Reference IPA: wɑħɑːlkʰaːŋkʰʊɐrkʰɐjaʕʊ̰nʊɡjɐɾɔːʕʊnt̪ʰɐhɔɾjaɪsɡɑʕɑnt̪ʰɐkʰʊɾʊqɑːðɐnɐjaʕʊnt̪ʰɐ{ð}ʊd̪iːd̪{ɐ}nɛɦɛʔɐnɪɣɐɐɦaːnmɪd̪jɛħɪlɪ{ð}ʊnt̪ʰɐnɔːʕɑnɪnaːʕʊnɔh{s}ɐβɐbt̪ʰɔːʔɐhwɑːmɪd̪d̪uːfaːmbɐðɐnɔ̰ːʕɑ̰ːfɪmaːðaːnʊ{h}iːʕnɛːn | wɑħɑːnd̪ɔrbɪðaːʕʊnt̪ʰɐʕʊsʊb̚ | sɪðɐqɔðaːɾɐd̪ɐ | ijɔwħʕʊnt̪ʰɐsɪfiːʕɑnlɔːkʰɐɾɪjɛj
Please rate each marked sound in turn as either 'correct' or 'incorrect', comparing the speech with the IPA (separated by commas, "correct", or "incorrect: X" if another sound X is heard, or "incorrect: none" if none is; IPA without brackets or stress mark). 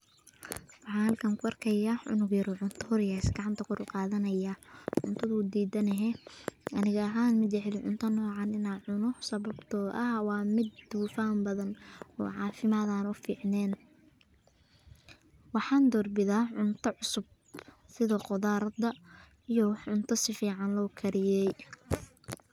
correct, correct, incorrect: ʕ, correct, incorrect: f